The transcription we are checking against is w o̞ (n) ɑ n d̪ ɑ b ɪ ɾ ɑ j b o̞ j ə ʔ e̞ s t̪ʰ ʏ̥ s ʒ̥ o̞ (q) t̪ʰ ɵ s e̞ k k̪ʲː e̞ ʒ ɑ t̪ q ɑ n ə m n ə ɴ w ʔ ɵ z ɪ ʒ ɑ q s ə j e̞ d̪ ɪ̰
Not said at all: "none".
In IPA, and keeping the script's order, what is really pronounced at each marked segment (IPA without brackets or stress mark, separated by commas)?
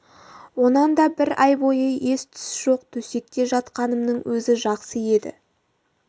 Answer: n, q